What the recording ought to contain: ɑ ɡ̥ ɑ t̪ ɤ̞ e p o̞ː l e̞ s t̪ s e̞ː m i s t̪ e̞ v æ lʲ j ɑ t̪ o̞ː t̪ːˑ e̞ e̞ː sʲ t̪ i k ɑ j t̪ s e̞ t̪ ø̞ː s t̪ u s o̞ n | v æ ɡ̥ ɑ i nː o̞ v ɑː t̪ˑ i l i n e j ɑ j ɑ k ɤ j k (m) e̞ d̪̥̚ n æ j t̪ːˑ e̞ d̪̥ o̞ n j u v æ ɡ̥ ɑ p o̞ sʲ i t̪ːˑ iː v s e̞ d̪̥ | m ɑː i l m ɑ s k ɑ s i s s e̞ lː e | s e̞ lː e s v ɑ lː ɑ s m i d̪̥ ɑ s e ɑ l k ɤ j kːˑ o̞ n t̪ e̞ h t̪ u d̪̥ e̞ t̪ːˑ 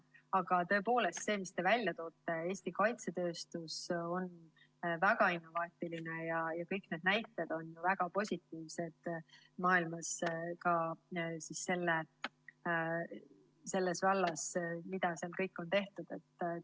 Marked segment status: incorrect: n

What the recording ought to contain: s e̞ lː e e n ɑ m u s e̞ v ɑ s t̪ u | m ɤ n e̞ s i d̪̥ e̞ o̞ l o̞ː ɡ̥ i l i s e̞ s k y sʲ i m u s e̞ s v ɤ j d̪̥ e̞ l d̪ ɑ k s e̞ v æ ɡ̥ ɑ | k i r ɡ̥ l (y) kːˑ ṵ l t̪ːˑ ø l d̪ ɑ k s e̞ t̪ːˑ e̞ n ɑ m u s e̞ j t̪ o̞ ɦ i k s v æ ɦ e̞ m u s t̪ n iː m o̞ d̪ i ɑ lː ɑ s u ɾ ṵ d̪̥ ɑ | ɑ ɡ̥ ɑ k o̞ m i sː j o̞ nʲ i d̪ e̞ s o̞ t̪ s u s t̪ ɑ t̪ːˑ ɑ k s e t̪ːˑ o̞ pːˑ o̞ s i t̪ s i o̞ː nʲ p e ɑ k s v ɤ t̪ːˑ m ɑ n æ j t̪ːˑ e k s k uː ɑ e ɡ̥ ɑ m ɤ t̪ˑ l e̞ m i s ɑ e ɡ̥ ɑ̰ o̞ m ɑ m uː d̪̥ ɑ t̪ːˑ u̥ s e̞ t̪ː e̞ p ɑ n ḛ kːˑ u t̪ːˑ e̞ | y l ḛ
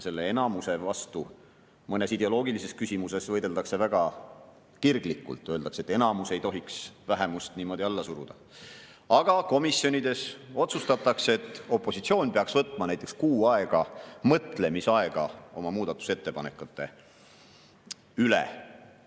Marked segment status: incorrect: i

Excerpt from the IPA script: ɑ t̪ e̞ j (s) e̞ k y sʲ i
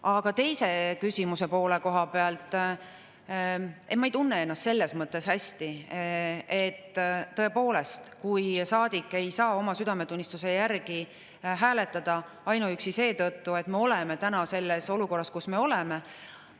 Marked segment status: correct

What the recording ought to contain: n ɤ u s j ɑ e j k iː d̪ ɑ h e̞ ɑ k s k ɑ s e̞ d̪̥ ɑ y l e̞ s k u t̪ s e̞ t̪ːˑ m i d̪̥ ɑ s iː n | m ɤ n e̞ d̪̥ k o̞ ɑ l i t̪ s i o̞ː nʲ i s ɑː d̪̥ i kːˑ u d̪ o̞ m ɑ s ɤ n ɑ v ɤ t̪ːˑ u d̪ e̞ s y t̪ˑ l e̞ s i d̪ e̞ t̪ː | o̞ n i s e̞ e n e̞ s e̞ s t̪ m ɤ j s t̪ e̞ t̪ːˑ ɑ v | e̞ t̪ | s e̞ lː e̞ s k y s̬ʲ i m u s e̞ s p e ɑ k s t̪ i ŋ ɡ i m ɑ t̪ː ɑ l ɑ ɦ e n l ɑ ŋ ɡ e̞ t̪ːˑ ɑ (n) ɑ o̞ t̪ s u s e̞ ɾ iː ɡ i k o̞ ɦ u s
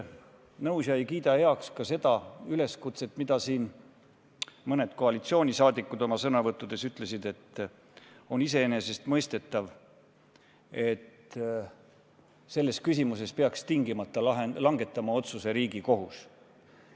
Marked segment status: incorrect: m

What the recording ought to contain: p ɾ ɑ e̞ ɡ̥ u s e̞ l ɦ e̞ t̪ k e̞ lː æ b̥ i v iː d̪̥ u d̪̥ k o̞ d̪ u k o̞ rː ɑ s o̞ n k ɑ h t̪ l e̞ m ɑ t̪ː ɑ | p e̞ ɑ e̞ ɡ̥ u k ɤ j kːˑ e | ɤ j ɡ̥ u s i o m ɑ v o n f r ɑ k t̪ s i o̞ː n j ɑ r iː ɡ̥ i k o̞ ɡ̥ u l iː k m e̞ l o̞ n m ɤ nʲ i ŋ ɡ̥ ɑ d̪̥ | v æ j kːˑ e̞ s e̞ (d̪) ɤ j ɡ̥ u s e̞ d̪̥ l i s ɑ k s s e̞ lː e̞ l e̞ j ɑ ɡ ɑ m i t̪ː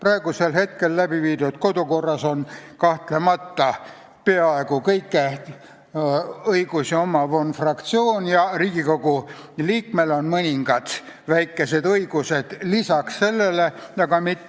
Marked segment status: correct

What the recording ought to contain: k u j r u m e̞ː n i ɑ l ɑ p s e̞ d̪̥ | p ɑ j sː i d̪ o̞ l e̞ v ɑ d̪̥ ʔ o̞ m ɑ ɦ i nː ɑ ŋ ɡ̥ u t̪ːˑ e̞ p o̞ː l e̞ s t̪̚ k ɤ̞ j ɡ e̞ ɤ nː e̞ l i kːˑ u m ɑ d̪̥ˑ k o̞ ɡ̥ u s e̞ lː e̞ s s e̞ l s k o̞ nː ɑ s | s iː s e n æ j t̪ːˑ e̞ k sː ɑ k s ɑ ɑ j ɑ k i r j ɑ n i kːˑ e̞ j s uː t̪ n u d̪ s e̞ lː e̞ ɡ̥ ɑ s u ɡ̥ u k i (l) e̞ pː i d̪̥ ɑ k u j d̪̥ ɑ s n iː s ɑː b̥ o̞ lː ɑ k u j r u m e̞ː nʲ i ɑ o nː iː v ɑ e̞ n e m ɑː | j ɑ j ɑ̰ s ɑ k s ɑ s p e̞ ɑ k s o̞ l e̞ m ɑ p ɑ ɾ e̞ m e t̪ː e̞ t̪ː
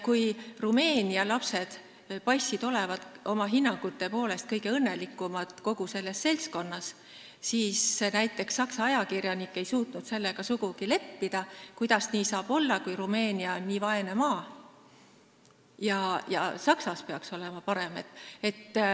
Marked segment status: correct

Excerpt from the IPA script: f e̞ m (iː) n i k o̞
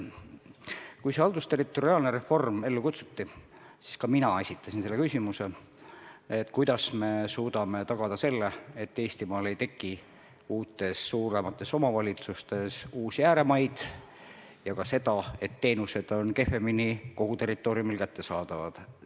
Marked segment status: incorrect: i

